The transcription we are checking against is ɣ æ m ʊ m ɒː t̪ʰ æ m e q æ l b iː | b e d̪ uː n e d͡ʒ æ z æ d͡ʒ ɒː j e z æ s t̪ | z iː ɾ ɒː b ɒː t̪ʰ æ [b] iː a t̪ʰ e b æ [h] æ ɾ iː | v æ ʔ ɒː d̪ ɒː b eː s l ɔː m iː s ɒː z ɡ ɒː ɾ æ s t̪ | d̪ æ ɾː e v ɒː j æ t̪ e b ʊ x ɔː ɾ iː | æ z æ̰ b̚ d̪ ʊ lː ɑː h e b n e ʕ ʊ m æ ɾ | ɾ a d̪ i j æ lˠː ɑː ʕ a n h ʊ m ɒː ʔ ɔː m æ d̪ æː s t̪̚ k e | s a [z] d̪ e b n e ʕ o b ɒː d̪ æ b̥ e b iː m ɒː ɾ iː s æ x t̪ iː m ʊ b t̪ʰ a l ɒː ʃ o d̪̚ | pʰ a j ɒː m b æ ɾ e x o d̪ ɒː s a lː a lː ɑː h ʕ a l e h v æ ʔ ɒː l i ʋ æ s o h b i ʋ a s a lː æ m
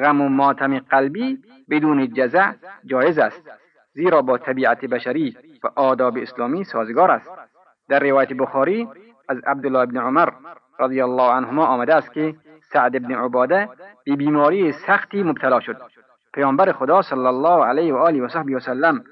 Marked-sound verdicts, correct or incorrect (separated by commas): correct, incorrect, incorrect